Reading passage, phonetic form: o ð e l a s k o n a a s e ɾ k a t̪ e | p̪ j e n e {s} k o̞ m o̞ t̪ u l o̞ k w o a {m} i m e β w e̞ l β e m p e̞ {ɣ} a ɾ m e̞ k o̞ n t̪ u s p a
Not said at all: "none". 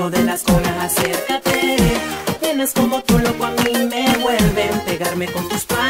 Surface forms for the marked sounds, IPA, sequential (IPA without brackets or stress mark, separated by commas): s, m, ɣ